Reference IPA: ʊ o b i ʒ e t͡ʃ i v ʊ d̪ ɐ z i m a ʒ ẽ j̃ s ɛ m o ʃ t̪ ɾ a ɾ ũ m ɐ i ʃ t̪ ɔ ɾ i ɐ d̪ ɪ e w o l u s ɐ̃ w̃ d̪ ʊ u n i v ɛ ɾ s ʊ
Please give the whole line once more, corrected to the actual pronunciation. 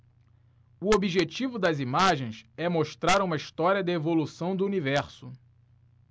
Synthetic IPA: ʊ o b i ʒ e t͡ʃ i v ʊ d̪ ɐ z i m a ʒ ẽ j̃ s ɛ m o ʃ t̪ ɾ a ɾ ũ m ɐ i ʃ t̪ ɔ ɾ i ɐ d̪ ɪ e v o l u s ɐ̃ w̃ d̪ ʊ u n i v ɛ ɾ s ʊ